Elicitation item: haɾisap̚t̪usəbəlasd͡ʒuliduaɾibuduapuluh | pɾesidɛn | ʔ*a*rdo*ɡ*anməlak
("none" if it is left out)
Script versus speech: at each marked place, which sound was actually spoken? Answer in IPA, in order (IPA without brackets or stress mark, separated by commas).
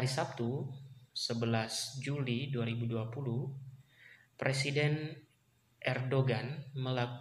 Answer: ɛ, ɡ